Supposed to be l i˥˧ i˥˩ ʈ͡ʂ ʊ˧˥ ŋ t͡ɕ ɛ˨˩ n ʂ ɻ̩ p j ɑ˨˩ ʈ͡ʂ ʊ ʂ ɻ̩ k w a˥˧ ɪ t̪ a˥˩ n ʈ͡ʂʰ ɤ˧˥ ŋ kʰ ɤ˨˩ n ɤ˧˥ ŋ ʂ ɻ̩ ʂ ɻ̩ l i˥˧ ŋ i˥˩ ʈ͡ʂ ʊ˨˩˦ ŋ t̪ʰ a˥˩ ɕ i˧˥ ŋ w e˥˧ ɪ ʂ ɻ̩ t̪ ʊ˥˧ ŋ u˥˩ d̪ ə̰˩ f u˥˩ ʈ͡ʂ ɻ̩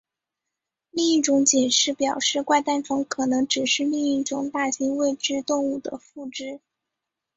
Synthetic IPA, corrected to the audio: l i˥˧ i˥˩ ʈ͡ʂ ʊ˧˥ ŋ t͡ɕ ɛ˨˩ n ʂ ɻ̩ p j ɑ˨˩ ʊ ʂ ɻ̩ k w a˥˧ ɪ t̪ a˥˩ n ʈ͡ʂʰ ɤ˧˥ ŋ kʰ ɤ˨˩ n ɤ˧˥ ŋ ʈ͡ʂ ɻ̩ ʂ ɻ̩ l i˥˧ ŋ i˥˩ ʈ͡ʂ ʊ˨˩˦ ŋ t̪ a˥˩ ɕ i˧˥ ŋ w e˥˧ ɪ ʈ͡ʂ ɻ̩ t̪ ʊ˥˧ ŋ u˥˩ d̪ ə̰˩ f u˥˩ ʈ͡ʂ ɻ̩